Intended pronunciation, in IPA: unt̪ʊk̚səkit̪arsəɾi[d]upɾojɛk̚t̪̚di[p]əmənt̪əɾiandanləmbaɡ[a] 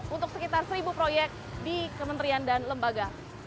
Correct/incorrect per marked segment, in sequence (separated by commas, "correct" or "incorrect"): incorrect, incorrect, correct